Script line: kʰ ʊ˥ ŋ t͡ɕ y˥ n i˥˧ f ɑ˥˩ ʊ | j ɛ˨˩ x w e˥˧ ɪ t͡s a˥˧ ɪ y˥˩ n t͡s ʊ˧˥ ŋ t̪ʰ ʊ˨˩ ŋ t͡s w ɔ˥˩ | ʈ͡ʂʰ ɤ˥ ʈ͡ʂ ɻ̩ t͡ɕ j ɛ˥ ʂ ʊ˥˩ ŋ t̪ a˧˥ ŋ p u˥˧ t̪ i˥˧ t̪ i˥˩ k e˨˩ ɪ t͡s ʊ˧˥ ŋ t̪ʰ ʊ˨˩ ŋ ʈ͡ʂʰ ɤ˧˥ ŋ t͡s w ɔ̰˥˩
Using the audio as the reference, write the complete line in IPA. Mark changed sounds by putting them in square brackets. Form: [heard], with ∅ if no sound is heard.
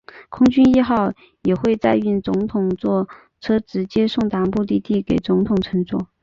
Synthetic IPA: kʰ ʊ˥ ŋ t͡ɕ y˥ n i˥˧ [x] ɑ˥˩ ʊ | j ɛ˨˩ x w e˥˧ ɪ t͡s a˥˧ ɪ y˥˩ n t͡s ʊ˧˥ ŋ t̪ʰ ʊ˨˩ ŋ t͡s w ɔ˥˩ | ʈ͡ʂʰ ɤ˥ ʈ͡ʂ ɻ̩ t͡ɕ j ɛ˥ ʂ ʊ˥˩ ŋ t̪ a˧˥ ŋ p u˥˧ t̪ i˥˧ t̪ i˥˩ k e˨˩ ɪ t͡s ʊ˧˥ ŋ t̪ʰ ʊ˨˩ ŋ ʈ͡ʂʰ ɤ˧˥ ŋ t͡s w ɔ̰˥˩